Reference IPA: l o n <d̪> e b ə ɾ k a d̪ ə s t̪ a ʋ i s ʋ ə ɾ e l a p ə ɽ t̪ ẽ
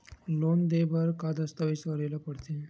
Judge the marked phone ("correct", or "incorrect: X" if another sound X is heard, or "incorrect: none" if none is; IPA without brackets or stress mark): correct